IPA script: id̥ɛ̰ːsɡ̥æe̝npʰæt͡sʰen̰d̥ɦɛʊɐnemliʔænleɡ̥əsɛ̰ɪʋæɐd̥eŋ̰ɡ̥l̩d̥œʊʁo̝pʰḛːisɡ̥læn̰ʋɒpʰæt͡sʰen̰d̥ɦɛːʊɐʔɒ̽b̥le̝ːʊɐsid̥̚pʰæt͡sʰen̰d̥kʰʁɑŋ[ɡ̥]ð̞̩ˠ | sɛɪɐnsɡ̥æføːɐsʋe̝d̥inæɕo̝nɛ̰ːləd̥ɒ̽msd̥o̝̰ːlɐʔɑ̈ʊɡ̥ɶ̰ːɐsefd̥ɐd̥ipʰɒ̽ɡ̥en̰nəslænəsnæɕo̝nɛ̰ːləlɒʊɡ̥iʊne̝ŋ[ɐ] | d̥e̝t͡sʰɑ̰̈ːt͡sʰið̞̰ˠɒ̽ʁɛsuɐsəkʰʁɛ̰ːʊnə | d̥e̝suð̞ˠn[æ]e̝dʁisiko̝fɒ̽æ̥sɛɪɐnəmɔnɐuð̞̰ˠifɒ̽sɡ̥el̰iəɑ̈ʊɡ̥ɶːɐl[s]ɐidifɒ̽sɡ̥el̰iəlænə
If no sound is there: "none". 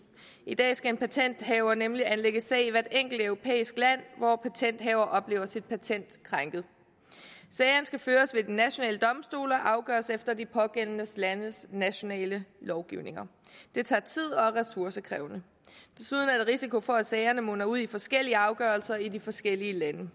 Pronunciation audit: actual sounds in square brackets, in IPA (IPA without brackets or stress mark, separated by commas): ɡ̥, ɐ, æ, s